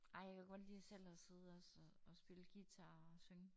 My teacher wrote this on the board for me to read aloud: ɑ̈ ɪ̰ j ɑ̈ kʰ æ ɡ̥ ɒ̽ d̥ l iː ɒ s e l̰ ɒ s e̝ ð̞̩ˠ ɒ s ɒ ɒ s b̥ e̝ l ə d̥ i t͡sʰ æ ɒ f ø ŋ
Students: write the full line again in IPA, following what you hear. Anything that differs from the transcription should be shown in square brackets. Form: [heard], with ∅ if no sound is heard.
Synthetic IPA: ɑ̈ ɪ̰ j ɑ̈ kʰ æ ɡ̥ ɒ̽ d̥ l iː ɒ s e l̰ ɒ s e̝ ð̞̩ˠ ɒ s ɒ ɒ s b̥ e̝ l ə [ɡ̥] i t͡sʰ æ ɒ [s] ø ŋ